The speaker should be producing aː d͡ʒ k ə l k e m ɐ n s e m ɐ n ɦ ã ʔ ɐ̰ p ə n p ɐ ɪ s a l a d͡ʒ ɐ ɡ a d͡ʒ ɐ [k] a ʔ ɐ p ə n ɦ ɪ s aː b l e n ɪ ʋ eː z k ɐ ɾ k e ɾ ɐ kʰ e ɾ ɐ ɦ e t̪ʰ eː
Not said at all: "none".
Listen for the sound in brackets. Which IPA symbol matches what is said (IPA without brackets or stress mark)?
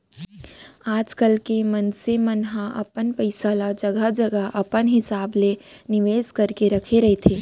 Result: ɡ